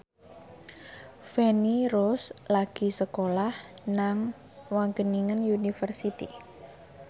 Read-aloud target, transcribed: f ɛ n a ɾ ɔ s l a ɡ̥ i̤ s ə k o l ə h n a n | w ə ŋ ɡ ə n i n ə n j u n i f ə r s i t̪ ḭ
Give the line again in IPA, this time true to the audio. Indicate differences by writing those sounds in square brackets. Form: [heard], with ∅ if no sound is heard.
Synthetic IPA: f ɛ n [i] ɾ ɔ s l a ɡ̥ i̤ s ə k o l [a] h n a [ŋ] | w [a] ŋ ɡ ə n i [ŋ] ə n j u n i f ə r s i t̪ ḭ